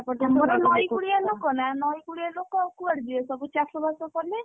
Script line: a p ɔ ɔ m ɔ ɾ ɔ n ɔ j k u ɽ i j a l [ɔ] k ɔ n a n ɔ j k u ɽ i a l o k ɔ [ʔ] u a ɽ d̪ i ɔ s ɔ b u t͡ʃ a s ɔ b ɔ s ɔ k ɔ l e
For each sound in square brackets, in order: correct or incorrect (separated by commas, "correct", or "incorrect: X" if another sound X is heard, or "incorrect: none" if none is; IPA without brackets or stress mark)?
incorrect: o, incorrect: k